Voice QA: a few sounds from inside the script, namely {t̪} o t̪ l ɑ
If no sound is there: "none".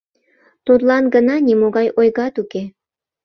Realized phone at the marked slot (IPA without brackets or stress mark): t̪